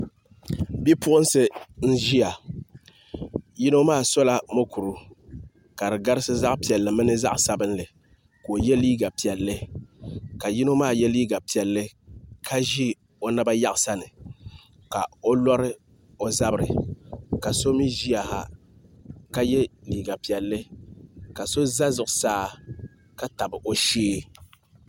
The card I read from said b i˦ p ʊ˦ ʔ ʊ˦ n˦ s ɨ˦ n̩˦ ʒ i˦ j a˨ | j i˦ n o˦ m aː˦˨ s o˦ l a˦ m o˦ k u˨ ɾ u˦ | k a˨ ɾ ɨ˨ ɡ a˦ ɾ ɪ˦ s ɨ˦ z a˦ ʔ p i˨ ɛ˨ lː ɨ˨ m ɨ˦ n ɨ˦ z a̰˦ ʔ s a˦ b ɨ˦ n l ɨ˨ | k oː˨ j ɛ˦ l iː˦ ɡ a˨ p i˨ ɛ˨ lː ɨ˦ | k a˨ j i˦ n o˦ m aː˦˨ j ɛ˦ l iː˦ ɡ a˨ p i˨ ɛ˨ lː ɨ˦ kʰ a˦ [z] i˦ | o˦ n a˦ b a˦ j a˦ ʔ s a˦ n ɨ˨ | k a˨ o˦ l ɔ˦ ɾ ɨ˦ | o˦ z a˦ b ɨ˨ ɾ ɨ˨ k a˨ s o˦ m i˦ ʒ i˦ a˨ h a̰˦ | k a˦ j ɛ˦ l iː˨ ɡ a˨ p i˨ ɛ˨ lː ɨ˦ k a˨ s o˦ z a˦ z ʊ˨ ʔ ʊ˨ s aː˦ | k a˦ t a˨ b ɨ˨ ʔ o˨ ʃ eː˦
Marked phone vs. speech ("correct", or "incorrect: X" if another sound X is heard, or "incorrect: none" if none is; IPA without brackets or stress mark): incorrect: ʒ